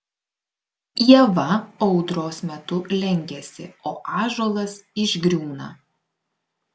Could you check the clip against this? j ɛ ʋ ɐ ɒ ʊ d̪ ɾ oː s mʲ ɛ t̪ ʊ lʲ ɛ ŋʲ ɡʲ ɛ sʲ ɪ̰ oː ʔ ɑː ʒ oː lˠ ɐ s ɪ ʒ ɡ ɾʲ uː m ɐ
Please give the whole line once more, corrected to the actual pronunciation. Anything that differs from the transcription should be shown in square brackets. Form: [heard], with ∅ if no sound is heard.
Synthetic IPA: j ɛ ʋ ɐ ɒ ʊ d̪ ɾ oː s mʲ ɛ t̪ ʊ lʲ ɛ ŋʲ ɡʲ ɛ sʲ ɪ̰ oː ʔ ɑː ʒ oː lˠ ɐ s ɪ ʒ ɡ ɾʲ uː [n] ɐ